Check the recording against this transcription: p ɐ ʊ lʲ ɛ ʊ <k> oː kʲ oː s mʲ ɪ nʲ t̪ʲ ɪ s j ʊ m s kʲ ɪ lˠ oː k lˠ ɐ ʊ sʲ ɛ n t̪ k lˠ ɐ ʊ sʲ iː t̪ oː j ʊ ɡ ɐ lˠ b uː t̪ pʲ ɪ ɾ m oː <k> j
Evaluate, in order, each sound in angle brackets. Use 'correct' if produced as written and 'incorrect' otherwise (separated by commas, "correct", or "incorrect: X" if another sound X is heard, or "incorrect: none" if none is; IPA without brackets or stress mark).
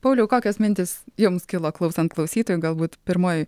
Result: correct, incorrect: none